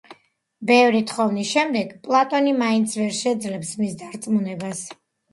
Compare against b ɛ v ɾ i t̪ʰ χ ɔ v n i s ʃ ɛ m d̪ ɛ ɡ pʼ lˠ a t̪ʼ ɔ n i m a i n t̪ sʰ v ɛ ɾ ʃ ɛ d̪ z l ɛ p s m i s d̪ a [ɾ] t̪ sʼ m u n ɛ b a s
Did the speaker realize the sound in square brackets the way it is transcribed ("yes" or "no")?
yes